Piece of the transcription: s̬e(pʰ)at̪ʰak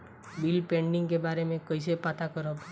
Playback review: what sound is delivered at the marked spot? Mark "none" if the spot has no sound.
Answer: p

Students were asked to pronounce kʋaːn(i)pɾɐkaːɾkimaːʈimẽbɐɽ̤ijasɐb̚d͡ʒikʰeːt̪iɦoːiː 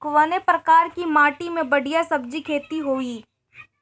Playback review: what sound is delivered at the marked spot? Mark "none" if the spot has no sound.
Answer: e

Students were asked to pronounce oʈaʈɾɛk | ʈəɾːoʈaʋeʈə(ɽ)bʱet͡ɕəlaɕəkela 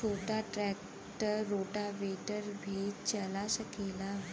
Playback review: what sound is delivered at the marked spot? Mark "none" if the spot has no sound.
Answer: ɾ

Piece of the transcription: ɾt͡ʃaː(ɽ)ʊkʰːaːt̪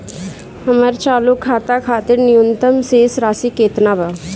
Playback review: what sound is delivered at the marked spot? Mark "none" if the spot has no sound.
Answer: l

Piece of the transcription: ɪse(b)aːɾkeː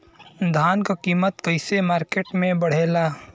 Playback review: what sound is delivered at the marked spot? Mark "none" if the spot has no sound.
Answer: m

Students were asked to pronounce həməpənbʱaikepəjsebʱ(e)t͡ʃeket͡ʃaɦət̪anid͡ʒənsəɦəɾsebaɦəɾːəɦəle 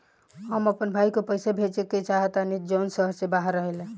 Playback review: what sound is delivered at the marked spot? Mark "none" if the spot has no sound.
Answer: e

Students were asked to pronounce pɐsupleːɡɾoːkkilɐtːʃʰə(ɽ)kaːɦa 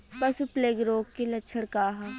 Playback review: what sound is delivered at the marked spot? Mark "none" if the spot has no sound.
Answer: ɽ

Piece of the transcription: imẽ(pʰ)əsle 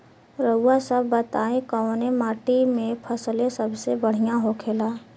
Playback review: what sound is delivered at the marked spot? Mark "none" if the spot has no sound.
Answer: pʰ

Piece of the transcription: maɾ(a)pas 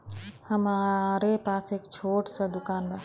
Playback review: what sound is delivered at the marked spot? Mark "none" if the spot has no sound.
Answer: e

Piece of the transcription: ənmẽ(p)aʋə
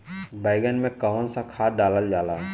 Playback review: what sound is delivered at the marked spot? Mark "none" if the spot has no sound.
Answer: k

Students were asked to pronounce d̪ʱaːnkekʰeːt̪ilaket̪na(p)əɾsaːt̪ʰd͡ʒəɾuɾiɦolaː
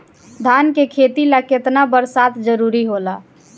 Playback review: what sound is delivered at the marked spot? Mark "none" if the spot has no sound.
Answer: b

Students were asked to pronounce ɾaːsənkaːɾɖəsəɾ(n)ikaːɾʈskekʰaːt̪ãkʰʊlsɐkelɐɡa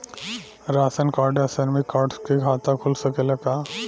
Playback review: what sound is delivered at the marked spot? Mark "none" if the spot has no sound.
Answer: m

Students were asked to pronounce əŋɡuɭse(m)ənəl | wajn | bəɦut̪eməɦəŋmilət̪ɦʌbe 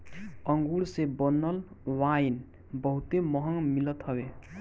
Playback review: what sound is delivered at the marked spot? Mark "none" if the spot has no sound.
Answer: b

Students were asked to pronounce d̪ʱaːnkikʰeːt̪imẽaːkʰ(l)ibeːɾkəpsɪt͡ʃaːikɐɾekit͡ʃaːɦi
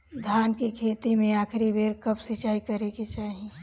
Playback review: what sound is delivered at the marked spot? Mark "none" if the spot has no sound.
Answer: ɾ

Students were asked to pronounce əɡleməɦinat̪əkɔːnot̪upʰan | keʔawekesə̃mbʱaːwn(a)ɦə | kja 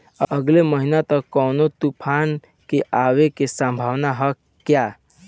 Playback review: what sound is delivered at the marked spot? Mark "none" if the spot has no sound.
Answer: a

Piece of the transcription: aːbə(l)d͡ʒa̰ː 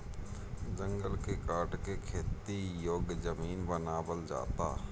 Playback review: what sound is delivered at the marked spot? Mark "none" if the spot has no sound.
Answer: l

